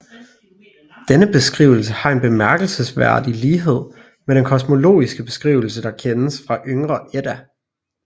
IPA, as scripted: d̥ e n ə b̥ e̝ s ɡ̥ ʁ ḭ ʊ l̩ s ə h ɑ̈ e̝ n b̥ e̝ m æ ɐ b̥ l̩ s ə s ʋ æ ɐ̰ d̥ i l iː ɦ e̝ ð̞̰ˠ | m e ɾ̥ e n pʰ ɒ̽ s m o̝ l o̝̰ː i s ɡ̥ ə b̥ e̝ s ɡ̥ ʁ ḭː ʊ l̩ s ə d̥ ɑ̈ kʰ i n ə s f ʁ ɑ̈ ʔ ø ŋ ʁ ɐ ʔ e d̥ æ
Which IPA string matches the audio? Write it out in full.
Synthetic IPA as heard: d̥ e n ə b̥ e̝ s ɡ̥ ʁ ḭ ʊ l̩ s ə h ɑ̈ e̝ n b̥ e̝ m æ ɐ ɡ̥ l̩ s ə s ʋ æ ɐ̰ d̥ i l iː ɦ e̝ ð̞̰ˠ | m e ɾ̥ e n kʰ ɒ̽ s m o̝ l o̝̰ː i s ɡ̥ ə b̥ e̝ s ɡ̥ ʁ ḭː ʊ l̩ s ə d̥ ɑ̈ kʰ e n ə s f ʁ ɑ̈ ʔ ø ŋ ʁ ɐ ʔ e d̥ æ